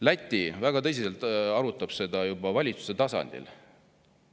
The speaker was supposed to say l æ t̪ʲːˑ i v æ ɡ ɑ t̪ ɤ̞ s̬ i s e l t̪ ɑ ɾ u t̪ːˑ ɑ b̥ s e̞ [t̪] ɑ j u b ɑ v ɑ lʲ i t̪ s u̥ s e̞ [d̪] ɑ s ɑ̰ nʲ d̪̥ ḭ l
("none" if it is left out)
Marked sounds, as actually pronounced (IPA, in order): d̪, t̪

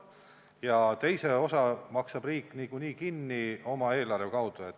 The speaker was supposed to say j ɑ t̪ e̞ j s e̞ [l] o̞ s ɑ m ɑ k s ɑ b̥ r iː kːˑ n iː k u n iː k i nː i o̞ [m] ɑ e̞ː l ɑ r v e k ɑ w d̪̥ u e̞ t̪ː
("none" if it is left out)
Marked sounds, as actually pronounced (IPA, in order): none, m

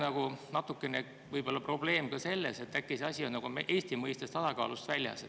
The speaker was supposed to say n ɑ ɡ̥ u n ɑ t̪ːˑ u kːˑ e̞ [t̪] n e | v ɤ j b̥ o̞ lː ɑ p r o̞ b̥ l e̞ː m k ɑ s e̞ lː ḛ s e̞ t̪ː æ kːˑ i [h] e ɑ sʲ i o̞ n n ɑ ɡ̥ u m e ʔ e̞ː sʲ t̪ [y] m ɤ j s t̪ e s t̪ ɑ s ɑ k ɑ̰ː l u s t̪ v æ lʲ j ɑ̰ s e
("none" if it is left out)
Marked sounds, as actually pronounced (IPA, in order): none, s, i

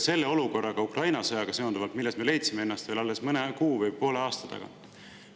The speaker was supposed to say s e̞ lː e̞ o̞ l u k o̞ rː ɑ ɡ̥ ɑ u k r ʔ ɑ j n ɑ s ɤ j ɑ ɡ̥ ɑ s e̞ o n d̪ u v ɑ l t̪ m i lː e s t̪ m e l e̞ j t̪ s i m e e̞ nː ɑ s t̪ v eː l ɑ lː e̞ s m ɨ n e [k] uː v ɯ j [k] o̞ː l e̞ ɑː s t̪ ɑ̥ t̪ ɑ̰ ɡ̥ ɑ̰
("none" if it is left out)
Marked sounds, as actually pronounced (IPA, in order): k, p

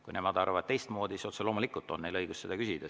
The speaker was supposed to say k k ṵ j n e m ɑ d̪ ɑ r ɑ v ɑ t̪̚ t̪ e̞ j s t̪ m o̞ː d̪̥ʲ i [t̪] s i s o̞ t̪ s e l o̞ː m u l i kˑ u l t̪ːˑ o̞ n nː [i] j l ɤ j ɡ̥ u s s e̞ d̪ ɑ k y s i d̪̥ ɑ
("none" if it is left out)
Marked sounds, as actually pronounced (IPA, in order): none, e

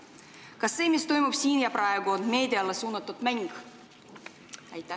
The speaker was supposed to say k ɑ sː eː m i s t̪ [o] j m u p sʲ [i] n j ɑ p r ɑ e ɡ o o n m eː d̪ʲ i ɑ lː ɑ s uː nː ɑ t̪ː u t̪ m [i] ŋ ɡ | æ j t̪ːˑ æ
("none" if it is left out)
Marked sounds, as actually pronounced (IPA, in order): o, iː, æ

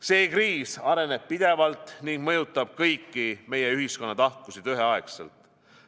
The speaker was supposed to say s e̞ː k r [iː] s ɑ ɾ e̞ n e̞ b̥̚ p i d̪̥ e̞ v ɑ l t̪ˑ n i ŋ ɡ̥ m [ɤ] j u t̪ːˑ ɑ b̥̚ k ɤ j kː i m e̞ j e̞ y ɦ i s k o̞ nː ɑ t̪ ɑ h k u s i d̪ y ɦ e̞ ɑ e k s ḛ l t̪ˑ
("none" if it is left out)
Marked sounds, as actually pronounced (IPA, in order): iː, ɤ

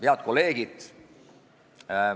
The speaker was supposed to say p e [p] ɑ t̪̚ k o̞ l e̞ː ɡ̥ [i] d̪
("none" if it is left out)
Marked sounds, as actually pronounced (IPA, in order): none, i

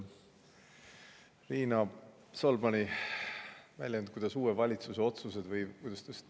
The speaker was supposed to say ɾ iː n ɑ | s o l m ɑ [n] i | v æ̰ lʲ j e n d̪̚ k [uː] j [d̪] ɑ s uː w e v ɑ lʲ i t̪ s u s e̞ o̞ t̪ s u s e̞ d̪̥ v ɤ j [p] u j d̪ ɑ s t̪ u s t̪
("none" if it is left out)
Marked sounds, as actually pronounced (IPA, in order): n, u, d̪, k

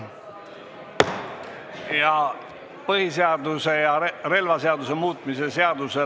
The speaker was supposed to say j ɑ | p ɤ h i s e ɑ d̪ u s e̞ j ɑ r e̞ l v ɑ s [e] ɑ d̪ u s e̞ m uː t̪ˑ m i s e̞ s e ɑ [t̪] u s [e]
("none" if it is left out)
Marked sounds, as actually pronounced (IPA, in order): e, d̪, e

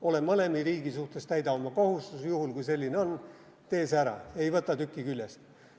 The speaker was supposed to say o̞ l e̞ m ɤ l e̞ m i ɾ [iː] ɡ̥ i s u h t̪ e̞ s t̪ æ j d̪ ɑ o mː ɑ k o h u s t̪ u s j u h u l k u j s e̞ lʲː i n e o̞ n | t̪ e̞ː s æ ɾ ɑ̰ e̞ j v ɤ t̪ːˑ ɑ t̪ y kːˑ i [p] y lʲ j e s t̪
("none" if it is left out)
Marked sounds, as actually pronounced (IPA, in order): iː, k

